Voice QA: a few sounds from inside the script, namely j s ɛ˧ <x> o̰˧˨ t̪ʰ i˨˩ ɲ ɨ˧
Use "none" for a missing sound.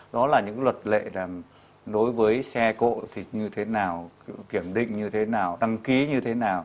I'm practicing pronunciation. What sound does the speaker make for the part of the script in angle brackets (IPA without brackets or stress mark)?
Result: k